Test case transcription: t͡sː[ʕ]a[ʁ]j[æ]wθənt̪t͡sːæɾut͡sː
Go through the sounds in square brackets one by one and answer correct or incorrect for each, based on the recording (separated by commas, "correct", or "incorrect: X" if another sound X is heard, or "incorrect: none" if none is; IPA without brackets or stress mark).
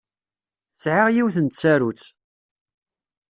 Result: correct, correct, incorrect: i